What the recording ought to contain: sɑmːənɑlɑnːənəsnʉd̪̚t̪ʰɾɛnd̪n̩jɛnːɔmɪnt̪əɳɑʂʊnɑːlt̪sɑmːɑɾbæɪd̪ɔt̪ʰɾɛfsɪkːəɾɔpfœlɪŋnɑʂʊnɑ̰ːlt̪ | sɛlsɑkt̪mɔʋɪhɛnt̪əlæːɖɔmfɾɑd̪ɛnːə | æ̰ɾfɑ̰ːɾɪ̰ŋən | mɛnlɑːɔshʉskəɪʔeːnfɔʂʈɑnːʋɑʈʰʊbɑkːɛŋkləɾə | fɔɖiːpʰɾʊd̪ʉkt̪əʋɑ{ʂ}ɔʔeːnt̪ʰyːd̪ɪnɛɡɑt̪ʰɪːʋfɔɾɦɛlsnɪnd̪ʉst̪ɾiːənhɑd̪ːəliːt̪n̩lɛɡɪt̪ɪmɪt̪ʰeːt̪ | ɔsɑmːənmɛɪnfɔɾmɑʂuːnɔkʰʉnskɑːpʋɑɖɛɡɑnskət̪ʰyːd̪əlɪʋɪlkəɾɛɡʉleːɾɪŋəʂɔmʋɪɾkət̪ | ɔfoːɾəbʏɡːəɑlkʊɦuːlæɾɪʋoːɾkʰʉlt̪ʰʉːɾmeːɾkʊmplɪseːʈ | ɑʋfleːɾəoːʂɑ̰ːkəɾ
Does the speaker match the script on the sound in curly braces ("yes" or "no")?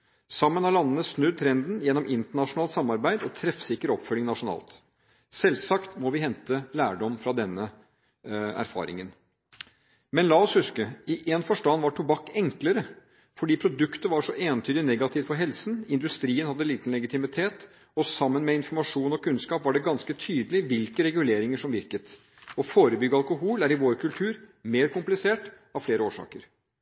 yes